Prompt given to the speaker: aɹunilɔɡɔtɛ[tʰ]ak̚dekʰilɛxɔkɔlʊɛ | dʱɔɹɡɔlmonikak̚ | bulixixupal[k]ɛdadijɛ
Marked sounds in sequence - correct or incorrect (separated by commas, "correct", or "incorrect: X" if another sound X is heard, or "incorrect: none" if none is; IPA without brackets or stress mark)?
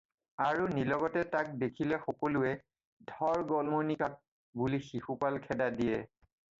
incorrect: t, incorrect: kʰ